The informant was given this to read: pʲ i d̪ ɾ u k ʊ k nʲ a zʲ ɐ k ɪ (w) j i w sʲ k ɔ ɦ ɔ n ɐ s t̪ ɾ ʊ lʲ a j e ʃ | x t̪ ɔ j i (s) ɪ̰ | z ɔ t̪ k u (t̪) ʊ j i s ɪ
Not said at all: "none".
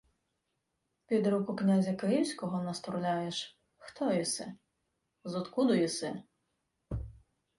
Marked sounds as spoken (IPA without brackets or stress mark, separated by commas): none, s, d̪